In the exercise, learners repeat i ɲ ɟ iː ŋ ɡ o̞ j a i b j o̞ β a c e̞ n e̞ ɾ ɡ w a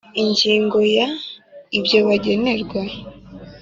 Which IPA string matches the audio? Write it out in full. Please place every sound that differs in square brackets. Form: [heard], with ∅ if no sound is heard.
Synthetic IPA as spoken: i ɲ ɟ iː ŋ ɡ o̞ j a i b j o̞ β a [ɟ] e̞ n e̞ ɾ ɡ w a